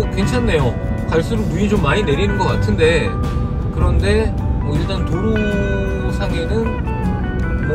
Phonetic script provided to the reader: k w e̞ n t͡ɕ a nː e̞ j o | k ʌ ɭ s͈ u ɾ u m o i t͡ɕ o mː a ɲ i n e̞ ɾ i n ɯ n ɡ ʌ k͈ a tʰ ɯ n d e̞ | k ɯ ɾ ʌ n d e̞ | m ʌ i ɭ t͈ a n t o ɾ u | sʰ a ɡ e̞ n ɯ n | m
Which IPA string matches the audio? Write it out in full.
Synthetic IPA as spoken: k w e̞ n t͡ɕʰ a nː e̞ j o | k a ɭ s͈ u ɾ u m u i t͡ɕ o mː a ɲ i n e̞ ɾ i n ɯ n ɡ ʌ k͈ a tʰ ɯ n d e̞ | k ɯ ɾ ʌ n d e̞ | m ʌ i ɭ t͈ a n t o ɾ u | sʰ a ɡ e̞ n ɯ n | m

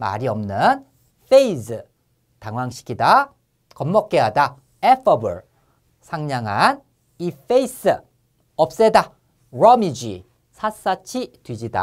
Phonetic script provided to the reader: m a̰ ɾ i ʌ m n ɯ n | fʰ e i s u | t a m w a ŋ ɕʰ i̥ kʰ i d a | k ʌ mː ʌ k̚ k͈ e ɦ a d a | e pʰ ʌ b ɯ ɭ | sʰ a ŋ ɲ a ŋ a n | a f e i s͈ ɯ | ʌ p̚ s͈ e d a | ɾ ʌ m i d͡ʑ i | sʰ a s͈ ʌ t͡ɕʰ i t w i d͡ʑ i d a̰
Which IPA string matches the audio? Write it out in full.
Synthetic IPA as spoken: m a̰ ɾ i ʌ m n ɯ n | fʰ e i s ɯ | t a ŋ w a ŋ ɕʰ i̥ kʰ i d a | k ʌ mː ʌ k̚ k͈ e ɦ a d a | e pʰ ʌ b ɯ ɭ | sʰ a ŋ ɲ a ŋ a n | i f e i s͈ ɯ | ʌ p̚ s͈ e d a | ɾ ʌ m i d͡ʑ i | sʰ a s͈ a t͡ɕʰ i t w i d͡ʑ i d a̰

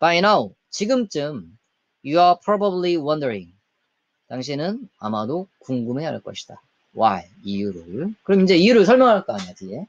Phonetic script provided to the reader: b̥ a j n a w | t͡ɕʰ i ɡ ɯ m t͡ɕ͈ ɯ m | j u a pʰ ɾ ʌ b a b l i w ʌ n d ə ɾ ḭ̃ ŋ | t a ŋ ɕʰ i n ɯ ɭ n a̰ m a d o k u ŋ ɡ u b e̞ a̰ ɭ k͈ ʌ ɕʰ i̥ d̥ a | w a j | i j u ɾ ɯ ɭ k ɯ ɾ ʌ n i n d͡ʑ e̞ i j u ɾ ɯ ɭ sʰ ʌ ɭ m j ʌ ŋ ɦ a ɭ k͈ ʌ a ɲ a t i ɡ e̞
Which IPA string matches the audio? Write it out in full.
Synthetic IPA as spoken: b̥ a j n a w | t͡ɕ i ɡ ɯ m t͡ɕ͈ ɯ m | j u a pʰ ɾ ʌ b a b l i w ʌ n d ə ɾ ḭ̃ ŋ | t a ŋ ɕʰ i n ɯ n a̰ m a d o k u ŋ ɡ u m e̞ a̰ ɭ k͈ ʌ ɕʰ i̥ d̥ a | w a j | i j u ɾ ɯ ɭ k ɯ ɾ ʌ m i n d͡ʑ e̞ i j u ɾ ɯ ɭ sʰ ʌ ɭ m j ʌ ŋ ɦ a ɭ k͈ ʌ a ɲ a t i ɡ e̞

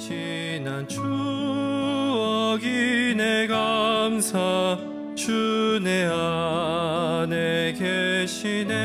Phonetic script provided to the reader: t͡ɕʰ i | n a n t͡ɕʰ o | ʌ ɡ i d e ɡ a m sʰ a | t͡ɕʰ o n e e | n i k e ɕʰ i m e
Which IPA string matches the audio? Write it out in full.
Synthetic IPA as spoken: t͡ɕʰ i | n a n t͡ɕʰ u | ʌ ɡ i n e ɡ a m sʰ a | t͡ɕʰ u n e a | n e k e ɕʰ i n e

